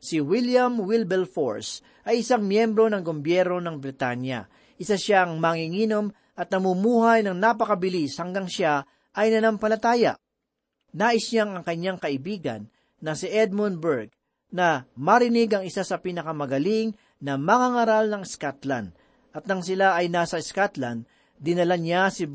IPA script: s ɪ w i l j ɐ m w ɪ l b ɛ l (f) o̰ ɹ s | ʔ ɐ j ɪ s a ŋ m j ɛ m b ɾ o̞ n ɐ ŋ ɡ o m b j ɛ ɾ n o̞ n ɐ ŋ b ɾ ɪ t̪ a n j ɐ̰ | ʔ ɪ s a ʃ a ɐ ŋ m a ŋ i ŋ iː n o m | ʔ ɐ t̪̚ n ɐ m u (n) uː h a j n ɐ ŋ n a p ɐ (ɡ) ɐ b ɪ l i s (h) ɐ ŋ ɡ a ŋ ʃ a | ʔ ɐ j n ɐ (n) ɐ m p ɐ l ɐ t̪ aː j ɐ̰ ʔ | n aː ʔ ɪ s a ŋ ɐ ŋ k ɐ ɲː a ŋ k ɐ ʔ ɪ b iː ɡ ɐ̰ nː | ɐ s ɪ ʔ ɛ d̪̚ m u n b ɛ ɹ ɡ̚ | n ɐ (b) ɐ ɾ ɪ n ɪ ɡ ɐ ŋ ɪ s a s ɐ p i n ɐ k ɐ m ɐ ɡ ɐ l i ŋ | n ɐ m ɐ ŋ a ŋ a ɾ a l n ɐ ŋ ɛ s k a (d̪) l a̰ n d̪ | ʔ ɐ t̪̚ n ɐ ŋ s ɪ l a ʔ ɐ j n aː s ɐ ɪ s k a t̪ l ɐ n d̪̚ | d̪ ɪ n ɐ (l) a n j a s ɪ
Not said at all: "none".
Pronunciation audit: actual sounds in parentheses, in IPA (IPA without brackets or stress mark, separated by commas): f, m, k, h, n, m, t̪, l